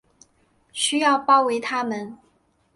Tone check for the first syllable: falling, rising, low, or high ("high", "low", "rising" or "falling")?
high